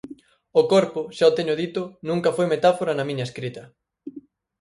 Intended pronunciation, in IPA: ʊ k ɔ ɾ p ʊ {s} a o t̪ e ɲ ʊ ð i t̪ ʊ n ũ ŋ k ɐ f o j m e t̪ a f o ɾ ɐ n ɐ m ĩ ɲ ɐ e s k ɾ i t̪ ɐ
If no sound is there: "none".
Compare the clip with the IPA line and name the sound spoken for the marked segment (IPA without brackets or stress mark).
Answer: ʃ